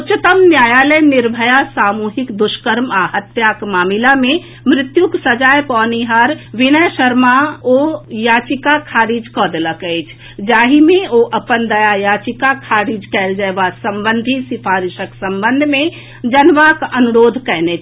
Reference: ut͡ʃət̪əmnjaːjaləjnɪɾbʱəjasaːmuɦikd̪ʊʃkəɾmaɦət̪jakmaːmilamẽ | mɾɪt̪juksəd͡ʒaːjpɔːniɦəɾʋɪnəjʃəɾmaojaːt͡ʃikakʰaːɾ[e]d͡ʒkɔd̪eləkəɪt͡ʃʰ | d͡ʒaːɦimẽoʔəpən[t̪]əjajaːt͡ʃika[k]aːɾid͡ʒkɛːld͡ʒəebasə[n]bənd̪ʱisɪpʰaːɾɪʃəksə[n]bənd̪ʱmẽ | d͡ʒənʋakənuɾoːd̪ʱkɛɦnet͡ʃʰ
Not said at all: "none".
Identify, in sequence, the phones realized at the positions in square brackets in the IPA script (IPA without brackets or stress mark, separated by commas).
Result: i, d̪, kʰ, m, m